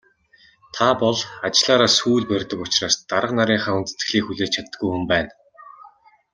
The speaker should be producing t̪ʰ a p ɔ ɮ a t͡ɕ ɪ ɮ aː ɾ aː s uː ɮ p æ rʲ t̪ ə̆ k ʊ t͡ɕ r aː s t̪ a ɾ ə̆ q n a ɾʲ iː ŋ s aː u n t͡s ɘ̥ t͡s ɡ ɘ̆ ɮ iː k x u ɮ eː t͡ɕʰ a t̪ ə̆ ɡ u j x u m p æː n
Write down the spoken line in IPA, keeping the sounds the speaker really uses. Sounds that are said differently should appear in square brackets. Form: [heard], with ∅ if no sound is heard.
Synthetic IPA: t̪ʰ a p ɔ ɮ a t͡ɕ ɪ ɮ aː ɾ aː s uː ɮ p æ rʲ t̪ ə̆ k ʊ t͡ɕ r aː s t̪ a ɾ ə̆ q n a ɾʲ iː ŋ [χ] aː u n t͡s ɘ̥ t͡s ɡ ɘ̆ ɮ iː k x u ɮ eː t͡ɕʰ a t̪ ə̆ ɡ u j x u m p æː n